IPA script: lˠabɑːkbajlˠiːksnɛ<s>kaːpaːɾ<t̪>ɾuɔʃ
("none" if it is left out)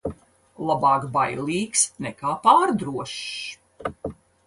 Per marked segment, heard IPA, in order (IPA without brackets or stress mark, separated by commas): none, d̪